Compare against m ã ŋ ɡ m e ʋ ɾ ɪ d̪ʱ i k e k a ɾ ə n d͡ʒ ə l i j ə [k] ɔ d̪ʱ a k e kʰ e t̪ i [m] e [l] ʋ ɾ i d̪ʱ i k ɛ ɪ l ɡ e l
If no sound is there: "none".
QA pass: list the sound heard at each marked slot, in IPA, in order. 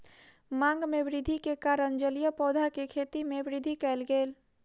p, m, none

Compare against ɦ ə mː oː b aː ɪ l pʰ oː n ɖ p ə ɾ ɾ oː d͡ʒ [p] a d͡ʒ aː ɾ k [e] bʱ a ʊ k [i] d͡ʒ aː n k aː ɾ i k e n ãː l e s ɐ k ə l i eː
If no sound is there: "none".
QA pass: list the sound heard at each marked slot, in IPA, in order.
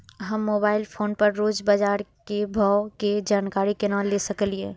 b, e, e

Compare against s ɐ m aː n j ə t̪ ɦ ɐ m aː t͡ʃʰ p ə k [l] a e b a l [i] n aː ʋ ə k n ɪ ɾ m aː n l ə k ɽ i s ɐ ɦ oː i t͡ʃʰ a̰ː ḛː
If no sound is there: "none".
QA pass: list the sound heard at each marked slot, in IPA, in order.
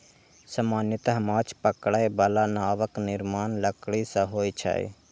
ɽ, a

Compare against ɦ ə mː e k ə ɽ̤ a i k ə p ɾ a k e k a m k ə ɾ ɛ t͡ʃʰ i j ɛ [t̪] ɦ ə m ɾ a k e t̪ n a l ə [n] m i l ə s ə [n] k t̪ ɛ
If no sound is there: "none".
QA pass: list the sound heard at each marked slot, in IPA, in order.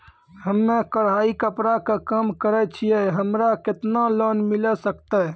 none, n, none

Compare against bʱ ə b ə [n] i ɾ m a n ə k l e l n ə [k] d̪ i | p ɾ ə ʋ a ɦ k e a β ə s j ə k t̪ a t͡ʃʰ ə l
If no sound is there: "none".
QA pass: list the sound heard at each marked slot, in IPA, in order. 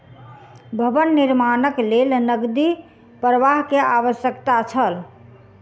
nː, ɡ

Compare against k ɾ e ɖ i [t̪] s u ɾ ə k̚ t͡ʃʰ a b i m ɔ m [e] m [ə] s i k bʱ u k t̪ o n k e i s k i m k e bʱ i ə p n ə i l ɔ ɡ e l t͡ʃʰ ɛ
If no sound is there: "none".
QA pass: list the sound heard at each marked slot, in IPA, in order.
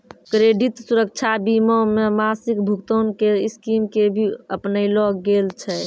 t̪, e, a

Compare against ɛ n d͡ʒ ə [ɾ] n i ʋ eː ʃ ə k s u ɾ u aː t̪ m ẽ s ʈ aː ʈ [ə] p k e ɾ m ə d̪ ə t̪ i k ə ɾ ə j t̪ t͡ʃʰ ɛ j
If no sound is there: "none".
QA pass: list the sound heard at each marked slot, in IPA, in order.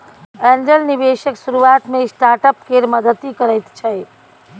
l, ə

